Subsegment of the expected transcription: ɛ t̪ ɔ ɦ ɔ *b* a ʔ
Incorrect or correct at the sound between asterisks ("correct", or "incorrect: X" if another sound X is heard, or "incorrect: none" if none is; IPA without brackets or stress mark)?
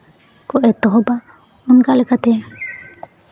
correct